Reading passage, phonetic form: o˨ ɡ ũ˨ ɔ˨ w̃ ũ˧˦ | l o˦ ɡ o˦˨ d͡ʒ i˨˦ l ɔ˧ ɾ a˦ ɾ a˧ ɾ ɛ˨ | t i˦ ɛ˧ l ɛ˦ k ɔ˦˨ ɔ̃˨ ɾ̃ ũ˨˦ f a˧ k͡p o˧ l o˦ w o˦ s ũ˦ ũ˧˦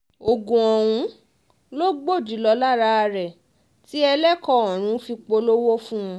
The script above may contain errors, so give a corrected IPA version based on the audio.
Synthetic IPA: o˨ ɡ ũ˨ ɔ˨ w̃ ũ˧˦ | l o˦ ɡ͡b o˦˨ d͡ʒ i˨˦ l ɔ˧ l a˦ ɾ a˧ ɾ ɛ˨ | t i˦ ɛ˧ l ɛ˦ k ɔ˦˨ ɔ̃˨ ɾ̃ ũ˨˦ f i˧ k͡p o˧ l o˦ w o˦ f ũ˦ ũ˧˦